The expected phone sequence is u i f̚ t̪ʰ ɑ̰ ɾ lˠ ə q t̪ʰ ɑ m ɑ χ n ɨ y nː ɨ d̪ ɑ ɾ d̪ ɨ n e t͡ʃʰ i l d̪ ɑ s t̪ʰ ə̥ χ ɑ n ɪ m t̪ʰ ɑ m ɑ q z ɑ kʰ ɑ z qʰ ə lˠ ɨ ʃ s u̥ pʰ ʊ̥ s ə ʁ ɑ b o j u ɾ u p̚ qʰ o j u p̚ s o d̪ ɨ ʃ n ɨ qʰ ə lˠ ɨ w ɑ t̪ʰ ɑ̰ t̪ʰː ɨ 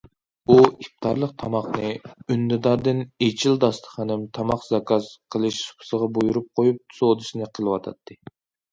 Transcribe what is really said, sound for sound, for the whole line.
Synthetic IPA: u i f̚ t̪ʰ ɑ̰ ɾ lˠ ə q t̪ʰ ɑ m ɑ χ n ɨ y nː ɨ d̪ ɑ ɾ d̪ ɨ n e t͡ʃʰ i l d̪ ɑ s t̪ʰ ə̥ χ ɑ n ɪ m t̪ʰ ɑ m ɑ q z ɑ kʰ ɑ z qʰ ə lˠ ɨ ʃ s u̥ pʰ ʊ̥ s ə ʁ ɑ b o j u ɾ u p̚ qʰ o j u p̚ s o d̪ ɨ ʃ n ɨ qʰ ə lˠ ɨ w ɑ t̪ʰ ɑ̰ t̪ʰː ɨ